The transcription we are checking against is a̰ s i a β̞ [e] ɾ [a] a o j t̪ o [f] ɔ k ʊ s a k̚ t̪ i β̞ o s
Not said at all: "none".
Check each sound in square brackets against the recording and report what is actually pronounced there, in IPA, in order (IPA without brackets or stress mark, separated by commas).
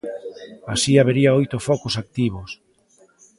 e, i, f